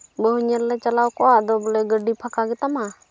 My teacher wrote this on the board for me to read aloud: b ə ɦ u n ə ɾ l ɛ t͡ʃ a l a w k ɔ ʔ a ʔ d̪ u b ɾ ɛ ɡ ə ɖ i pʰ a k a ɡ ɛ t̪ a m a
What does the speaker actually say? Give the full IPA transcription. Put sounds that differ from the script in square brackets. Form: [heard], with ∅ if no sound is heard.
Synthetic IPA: b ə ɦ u [ɲ] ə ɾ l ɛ t͡ʃ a l a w k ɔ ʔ a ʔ d̪ [ɔ] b [l] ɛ ɡ ə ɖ i pʰ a k a ɡ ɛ t̪ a m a